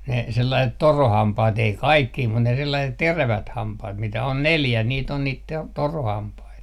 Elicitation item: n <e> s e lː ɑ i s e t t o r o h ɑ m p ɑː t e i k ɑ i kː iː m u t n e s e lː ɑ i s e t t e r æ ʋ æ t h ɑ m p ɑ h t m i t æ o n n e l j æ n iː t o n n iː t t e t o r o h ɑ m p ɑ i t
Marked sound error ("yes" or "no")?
no